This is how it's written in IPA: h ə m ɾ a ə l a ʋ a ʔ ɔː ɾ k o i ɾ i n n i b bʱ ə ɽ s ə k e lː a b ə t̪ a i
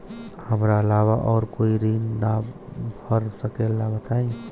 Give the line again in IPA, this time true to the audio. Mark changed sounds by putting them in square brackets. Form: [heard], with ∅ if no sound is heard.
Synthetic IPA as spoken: h ə m ɾ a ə l a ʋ a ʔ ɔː ɾ k o i ɾ i n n [a] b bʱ ə [ɾ] s ə k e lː a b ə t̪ a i